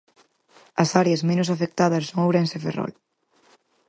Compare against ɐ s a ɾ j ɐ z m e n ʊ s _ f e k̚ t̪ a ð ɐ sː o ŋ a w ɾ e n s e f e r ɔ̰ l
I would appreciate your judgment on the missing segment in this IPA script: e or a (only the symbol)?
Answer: a